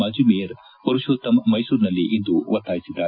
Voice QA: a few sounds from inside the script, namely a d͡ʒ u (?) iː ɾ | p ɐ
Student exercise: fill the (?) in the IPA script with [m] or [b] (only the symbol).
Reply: m